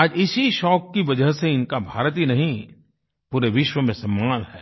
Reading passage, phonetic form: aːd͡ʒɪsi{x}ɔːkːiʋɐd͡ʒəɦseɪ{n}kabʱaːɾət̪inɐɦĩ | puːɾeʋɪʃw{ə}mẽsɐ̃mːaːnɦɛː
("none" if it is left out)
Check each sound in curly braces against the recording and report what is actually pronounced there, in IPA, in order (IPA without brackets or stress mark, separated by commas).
ʃ, n, ə